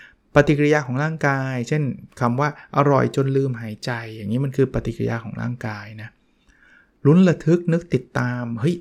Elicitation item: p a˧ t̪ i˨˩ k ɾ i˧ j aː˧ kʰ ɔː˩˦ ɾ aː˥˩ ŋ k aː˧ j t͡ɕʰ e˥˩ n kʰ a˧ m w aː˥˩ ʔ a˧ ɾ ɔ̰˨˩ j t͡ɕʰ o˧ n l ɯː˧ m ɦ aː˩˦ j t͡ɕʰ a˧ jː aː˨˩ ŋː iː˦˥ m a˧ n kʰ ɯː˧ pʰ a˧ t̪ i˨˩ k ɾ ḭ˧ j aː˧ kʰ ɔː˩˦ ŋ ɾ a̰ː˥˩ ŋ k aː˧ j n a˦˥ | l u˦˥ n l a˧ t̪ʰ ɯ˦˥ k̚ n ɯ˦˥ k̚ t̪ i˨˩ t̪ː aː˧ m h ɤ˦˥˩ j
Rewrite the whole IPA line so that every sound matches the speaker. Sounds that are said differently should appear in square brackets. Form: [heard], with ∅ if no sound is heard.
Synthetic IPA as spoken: p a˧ t̪ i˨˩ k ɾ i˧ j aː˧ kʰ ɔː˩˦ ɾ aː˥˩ ŋ k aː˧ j t͡ɕʰ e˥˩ n kʰ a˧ m w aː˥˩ ʔ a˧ ɾ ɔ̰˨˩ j [t͡ɕ] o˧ n l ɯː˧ m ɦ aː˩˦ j [t͡ɕ] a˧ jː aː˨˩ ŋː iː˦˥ m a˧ n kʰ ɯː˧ [p] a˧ t̪ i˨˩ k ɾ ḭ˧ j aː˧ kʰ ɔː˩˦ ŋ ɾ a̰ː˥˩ ŋ k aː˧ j n a˦˥ | l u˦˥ n l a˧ t̪ʰ ɯ˦˥ k̚ n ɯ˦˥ k̚ t̪ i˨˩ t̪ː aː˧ m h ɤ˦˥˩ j